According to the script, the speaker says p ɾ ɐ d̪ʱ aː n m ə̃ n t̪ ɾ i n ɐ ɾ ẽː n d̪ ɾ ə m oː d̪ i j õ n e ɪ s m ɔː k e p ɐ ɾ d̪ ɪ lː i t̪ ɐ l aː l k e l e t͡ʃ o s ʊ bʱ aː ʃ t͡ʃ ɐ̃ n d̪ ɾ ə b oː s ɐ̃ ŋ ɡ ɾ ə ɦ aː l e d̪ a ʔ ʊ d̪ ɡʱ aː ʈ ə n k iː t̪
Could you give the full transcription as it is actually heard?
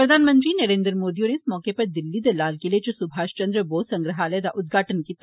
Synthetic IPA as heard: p ɾ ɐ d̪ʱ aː n m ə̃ n t̪ ɾ i n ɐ ɾ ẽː n d̪ ɾ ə m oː d̪ i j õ n e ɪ s m ɔː k e p ɐ ɾ d̪ ɪ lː i d̪ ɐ l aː l k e l e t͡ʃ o s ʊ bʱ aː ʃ t͡ʃ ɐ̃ n d̪ ɾ ə b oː s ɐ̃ ŋ ɡ ɾ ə ɦ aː l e d̪ a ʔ ʊ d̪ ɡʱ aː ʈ ə n k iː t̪